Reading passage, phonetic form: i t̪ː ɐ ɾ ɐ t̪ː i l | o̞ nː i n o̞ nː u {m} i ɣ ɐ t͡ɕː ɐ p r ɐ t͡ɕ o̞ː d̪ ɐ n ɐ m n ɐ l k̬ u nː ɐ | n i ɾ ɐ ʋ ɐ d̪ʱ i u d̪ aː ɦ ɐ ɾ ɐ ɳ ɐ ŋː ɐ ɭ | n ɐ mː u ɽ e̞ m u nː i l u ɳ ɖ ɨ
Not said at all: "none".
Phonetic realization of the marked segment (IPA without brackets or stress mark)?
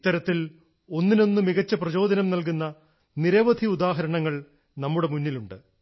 m